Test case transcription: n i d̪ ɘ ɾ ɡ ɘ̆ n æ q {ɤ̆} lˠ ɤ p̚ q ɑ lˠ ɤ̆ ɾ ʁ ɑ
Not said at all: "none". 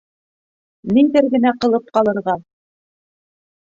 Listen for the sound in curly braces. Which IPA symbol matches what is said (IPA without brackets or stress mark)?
ɤ̆